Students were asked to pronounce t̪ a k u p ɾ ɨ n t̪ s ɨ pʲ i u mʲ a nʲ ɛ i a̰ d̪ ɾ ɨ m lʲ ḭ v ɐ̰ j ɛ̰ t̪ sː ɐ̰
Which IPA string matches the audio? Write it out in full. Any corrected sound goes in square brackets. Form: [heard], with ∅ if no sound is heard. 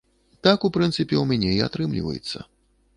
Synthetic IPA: t̪ a k u p ɾ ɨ n t̪ s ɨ pʲ [ɛ] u mʲ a nʲ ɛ i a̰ [t̪] ɾ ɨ m lʲ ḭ v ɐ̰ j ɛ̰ t̪ sː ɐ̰